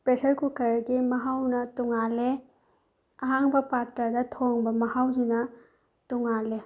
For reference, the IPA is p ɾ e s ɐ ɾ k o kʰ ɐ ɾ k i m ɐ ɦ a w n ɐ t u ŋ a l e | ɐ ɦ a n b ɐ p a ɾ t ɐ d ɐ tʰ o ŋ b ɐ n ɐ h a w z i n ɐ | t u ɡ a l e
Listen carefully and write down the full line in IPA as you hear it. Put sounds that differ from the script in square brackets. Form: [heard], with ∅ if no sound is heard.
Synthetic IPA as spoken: p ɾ e s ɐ ɾ k [u] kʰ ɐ ɾ [ɡ] i m ɐ ɦ a w n ɐ t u ŋ a l e | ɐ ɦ a [ŋ] b ɐ p a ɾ t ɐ d ɐ tʰ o ŋ b ɐ [m] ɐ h a w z i n ɐ | t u [ŋ] a l e

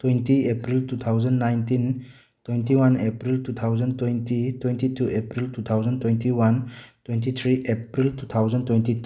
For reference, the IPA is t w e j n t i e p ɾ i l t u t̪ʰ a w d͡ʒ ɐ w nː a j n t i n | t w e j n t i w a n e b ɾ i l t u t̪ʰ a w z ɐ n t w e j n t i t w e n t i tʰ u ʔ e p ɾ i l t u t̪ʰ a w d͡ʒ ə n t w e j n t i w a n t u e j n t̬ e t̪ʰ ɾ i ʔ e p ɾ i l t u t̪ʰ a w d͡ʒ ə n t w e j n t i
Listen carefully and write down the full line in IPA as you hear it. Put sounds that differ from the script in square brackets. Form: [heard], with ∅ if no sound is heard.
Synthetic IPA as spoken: t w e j n t i e p ɾ i l t u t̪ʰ a w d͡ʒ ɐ [∅] nː a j n t i n | t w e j n t i w a n e [p] ɾ i l t u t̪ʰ a w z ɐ n t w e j n t i t w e n t i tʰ u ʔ e p ɾ i l t u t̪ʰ a w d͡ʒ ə n t w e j n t i w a n t [w] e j n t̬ [i] t̪ʰ ɾ i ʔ e p ɾ i l t u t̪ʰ a w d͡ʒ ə n t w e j n t i

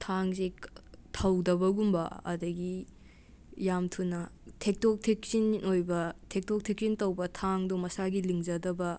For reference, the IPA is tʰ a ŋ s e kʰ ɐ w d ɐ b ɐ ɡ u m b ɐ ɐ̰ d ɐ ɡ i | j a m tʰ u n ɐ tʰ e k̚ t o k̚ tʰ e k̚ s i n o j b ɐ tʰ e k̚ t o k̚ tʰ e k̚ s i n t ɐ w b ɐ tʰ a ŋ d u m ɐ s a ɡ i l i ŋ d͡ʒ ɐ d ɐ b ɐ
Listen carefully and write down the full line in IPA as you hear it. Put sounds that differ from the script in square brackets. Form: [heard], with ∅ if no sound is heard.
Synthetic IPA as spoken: tʰ a ŋ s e [tʰ] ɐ w d ɐ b ɐ ɡ u m b ɐ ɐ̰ d ɐ ɡ i | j a m tʰ u n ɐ tʰ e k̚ t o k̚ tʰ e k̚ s i n o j b ɐ tʰ e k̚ t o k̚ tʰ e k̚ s i n t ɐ w b ɐ tʰ a ŋ d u m ɐ s a ɡ i l i ŋ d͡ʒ ɐ d ɐ b ɐ

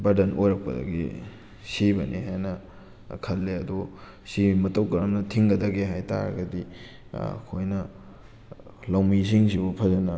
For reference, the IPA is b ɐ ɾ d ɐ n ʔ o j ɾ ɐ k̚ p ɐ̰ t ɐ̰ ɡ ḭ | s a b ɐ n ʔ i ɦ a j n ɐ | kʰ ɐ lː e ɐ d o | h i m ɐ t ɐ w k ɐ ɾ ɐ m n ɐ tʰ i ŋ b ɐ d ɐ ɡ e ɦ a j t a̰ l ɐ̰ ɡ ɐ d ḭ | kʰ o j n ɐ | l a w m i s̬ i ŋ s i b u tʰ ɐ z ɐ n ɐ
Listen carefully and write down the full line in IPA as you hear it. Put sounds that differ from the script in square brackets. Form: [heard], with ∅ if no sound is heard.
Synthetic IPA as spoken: b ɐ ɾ d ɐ n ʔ o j ɾ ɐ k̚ p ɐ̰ [d] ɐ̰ ɡ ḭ | s [i] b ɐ n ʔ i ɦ a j n ɐ | kʰ ɐ lː e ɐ d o | [s] i m ɐ t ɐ w k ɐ ɾ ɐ m n ɐ tʰ i ŋ [ɡ] ɐ d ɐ ɡ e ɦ a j t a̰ [ɾ] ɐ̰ ɡ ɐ d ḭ | kʰ o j n ɐ | l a w m i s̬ i ŋ s i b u [pʰ] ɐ z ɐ n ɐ

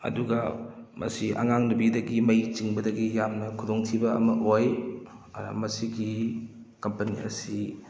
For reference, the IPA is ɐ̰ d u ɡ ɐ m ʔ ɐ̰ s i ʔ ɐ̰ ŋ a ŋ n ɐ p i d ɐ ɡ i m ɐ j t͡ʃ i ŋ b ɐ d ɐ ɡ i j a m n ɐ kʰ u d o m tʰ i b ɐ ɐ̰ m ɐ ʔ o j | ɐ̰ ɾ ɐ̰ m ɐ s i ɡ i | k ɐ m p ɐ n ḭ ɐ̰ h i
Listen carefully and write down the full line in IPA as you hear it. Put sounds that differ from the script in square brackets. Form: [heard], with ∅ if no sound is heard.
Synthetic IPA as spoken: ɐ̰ d u ɡ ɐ m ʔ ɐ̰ s i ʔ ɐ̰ ŋ a ŋ n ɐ [b] i d ɐ ɡ i m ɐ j t͡ʃ i ŋ b ɐ d ɐ ɡ i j a m n ɐ kʰ u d o [ŋ] tʰ i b ɐ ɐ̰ m ɐ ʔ o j | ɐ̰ ɾ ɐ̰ m ɐ s i ɡ i | k ɐ m p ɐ n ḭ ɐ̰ [s] i

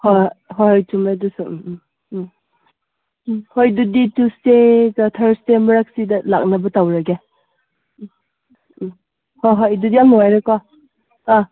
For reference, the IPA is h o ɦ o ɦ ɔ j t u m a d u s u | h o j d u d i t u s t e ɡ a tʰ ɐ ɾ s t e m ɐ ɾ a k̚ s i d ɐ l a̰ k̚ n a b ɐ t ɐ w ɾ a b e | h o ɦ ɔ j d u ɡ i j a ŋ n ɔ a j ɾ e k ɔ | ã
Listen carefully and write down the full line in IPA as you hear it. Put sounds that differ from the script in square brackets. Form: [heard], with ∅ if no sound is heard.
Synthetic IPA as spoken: h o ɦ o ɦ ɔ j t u m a d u s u | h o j d u d i t u s t e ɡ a tʰ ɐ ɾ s t e m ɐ ɾ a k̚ s i d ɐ l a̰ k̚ n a b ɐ t [a] w ɾ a [ɡ] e | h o ɦ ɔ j d u [d] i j a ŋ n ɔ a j ɾ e k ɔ | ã

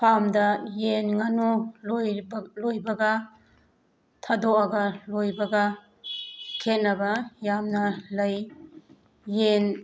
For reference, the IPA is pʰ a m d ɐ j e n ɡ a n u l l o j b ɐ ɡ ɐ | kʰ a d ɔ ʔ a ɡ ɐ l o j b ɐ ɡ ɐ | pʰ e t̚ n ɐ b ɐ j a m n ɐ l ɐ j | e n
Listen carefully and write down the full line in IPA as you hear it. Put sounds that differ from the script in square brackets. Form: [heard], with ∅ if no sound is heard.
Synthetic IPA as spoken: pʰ a m d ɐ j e n [ŋ] a n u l l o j b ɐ ɡ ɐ | [tʰ] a d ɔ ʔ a ɡ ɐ l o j b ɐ ɡ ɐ | [kʰ] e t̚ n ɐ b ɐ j a m n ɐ l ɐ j | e n

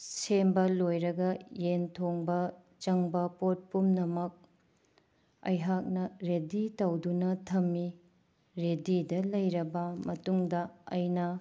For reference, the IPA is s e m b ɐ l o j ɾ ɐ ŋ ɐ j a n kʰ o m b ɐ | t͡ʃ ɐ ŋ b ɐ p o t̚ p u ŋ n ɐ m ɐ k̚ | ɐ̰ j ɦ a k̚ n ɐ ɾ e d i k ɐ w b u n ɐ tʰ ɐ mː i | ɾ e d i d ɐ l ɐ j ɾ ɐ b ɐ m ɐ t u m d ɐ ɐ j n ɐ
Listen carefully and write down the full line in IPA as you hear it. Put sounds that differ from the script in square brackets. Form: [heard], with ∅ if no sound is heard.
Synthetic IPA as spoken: s e m b ɐ l o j ɾ ɐ [ɡ] ɐ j [e] n [tʰ] o [ŋ] b ɐ | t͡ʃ ɐ ŋ b ɐ p o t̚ p u [m] n ɐ m ɐ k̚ | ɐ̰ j ɦ a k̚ n ɐ ɾ e d i [t] ɐ w [d] u n ɐ tʰ ɐ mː i | ɾ e d i d ɐ l ɐ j ɾ ɐ b ɐ m ɐ t u [ŋ] d ɐ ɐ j n ɐ

